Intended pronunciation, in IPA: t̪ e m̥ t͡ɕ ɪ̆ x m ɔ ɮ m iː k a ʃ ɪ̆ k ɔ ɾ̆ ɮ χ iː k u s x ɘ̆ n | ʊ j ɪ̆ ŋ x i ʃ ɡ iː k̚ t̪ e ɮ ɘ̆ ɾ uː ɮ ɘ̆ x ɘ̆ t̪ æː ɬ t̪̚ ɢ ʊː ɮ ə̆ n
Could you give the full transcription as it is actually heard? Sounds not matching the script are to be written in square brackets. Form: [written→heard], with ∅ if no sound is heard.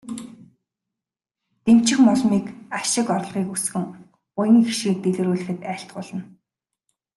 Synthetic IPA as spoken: t̪ e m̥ t͡ɕ ɪ̆ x m ɔ ɮ m iː k a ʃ ɪ̆ k ɔ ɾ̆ ɮ [χ→ʁ] iː k u s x ɘ̆ [n→ŋ] | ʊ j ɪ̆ ŋ x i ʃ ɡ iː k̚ t̪ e ɮ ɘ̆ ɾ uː ɮ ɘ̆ x ɘ̆ t̪ æː ɬ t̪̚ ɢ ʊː ɮ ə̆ n